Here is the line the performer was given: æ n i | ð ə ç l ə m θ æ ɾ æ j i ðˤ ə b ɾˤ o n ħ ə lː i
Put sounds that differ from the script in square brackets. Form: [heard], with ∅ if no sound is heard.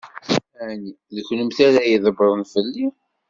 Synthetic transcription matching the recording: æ n i | ð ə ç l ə m θ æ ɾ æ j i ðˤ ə b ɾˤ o n [f] ə lː i

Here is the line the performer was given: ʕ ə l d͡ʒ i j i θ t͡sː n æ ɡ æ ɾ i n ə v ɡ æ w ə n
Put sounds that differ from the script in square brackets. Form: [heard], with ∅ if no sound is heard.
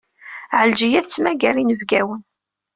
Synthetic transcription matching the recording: ʕ ə l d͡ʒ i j [æ] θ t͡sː [m] æ ɡ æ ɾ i n ə v ɡ æ w ə n

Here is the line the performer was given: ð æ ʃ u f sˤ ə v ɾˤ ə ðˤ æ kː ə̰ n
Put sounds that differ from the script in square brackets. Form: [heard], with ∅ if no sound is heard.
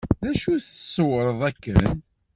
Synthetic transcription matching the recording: ð æ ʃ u [θ] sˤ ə [w] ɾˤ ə ðˤ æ kː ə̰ n

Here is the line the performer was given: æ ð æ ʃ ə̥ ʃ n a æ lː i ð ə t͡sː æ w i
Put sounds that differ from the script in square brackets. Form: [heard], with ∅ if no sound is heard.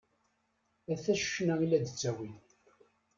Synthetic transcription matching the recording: æ [θ] æ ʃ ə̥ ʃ n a [i] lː [æ] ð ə t͡sː æ w i

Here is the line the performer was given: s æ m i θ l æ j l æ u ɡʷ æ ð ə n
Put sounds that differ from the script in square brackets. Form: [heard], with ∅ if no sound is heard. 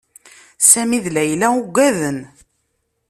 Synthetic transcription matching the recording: s æ m i [ð] l æ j l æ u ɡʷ æ ð ə n

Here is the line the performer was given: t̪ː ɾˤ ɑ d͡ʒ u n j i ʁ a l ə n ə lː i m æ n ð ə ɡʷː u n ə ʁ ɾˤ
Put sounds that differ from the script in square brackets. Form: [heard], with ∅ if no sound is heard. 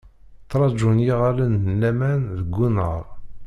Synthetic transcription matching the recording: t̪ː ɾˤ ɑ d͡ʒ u n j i ʁ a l ə n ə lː [æ] m æ n ð ə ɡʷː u n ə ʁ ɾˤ

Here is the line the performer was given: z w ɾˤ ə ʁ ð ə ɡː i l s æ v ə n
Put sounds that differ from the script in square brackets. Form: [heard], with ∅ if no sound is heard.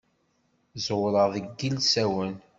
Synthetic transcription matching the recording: z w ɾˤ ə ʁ ð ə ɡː i l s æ [w] ə n

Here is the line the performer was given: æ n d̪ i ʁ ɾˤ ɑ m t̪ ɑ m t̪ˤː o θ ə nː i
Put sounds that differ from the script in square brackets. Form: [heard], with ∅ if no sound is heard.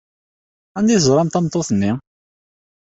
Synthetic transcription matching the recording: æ n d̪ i [z] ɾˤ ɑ m t̪ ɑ m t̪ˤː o θ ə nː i

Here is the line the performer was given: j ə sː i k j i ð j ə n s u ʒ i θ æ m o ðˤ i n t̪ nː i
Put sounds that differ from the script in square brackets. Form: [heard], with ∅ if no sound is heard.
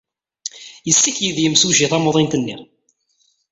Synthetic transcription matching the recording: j ə sː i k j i ð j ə [m] s u ʒ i θ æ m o ðˤ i n t̪ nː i

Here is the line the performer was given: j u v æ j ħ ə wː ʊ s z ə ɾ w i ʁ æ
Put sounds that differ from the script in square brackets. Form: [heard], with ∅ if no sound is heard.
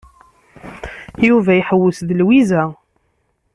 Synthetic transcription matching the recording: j u v æ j ħ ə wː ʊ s [ð] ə [l] w i [z] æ

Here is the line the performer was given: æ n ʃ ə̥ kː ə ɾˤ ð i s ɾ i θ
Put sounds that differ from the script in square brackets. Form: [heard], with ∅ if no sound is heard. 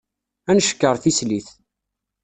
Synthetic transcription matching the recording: æ n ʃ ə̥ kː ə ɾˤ [θ] i s [l] i θ

